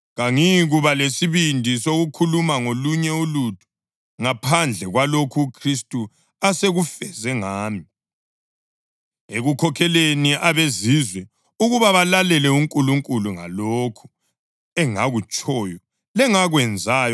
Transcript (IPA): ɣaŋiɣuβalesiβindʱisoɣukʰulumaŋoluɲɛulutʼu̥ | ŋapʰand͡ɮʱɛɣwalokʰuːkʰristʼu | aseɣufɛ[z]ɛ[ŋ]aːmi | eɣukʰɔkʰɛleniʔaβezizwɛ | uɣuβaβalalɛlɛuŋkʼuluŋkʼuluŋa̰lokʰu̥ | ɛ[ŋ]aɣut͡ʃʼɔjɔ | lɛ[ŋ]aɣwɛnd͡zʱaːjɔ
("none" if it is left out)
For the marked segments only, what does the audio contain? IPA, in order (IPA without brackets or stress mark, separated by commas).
z, ŋ, ŋ, ŋ